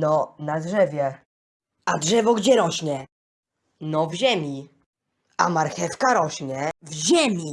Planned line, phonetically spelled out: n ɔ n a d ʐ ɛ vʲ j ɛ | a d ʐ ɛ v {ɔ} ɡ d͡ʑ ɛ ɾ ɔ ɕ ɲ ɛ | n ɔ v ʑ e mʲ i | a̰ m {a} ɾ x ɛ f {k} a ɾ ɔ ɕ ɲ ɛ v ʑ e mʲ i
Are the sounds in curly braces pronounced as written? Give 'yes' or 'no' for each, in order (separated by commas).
yes, yes, yes